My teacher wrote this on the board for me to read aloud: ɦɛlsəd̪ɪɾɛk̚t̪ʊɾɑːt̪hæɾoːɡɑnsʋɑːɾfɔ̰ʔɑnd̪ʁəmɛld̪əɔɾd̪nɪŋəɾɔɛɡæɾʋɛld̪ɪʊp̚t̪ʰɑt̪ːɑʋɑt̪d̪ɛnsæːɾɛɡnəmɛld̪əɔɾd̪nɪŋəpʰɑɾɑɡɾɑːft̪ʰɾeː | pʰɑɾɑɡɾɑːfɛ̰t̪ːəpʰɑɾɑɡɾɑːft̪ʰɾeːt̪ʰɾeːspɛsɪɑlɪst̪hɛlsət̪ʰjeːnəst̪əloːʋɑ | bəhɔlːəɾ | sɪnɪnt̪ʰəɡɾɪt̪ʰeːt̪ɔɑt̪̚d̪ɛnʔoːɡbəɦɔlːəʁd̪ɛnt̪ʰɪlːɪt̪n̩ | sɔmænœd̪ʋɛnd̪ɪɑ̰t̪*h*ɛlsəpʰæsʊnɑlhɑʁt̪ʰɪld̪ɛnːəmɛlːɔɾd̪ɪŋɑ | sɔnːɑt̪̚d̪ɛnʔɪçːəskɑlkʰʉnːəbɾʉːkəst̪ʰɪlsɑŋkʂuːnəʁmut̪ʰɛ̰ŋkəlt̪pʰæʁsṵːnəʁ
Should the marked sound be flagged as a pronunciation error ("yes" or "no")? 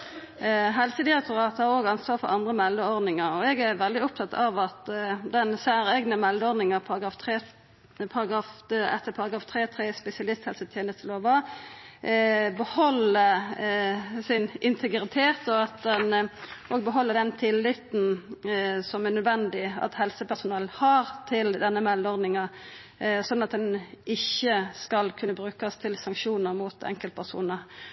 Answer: no